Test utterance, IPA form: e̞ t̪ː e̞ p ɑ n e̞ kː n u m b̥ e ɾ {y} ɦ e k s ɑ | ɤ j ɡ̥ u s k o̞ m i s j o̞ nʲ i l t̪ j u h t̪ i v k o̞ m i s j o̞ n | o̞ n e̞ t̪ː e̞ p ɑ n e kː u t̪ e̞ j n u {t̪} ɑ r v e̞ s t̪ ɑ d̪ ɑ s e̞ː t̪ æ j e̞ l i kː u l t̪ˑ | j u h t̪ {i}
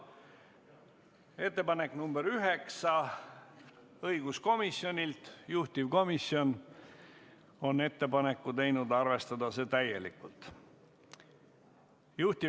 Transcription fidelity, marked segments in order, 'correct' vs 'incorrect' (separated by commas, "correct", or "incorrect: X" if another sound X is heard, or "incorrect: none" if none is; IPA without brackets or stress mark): correct, incorrect: d̪, correct